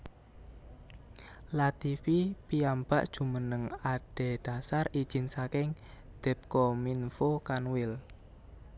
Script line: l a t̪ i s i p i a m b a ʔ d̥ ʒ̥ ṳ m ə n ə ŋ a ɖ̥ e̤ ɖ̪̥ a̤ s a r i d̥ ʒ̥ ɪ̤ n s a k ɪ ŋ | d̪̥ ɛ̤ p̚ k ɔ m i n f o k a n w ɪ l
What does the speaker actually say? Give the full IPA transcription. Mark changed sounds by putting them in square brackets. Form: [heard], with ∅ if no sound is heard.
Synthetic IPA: l a t̪ i [f] i p i a m b a ʔ d̥ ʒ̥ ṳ m ə n ə ŋ a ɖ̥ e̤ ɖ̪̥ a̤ s a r i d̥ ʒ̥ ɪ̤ n s a k ɪ ŋ | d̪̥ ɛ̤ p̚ k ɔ m i n f o k a n w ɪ l